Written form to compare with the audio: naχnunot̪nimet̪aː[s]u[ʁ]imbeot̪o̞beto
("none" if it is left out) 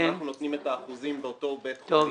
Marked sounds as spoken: χ, z

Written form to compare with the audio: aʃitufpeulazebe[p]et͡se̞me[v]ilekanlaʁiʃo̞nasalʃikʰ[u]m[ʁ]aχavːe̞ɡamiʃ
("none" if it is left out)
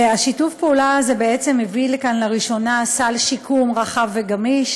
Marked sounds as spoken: none, v, u, ʁ

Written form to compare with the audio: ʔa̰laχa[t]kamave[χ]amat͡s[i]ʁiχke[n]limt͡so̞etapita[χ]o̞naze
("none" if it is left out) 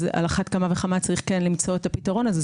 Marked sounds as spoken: t, χ, a, n, ʁ

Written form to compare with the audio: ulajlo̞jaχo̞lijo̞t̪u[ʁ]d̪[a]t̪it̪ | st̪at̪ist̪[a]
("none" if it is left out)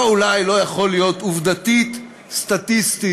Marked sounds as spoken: v, a, i

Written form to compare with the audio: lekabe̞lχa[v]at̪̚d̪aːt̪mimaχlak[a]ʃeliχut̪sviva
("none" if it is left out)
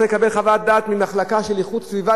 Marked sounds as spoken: v, a

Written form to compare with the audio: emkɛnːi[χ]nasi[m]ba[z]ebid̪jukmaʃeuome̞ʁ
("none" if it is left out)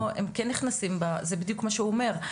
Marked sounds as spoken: χ, m, z

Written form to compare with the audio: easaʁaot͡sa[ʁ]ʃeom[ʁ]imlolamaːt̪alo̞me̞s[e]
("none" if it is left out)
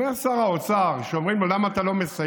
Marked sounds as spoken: ʁ, ʁ, a

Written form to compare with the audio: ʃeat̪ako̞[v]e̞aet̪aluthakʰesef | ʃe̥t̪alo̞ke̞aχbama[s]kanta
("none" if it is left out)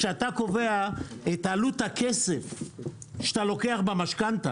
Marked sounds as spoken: v, ʃ

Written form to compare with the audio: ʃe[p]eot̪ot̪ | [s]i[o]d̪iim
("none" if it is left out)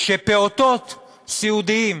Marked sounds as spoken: p, s, u

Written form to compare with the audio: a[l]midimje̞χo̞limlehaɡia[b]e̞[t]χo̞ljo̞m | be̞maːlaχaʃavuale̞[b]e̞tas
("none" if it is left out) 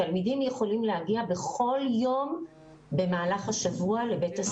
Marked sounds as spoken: l, b, none, b

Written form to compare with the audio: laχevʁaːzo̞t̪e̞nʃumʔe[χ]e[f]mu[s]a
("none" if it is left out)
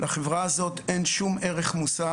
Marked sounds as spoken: ʁ, χ, s

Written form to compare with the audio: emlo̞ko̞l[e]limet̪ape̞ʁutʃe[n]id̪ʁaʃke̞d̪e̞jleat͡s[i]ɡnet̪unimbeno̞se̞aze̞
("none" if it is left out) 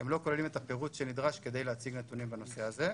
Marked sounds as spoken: e, n, i

